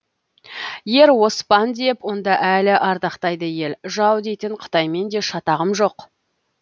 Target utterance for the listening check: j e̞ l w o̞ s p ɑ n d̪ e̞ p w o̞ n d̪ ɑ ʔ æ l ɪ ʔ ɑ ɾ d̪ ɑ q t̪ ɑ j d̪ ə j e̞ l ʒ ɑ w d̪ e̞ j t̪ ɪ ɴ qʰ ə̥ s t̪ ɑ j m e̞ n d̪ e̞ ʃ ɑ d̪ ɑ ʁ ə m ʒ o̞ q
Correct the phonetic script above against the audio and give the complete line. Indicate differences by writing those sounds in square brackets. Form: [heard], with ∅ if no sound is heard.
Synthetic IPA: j e̞ [ɾ] w o̞ s p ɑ n d̪ e̞ p w o̞ n d̪ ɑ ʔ æ l ɪ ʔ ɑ ɾ d̪ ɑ q t̪ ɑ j d̪ ə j e̞ l ʒ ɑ w d̪ e̞ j t̪ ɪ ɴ qʰ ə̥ [∅] t̪ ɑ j m e̞ n d̪ e̞ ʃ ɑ [t̪] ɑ ʁ ə m ʒ o̞ q